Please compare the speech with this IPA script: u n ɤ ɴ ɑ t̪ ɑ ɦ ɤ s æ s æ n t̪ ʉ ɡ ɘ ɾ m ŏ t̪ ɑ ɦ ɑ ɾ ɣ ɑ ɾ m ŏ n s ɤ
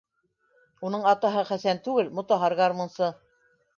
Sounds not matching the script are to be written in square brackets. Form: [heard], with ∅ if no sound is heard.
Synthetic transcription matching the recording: u n ɤ ɴ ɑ t̪ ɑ ɦ ɤ [χ] æ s æ n t̪ ʉ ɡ ɘ [l] m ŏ t̪ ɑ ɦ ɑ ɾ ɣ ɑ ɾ m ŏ n s ɤ